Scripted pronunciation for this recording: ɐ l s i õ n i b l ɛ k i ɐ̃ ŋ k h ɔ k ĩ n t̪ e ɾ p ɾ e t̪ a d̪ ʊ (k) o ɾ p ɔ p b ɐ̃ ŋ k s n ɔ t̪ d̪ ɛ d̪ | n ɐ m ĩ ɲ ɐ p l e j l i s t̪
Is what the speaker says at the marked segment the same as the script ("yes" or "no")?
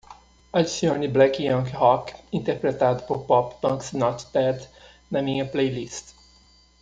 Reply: no